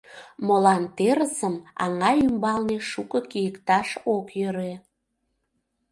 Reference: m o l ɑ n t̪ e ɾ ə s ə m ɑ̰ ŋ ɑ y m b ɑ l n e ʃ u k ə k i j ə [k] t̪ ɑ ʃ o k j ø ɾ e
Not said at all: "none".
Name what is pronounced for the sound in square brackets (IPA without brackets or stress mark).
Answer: k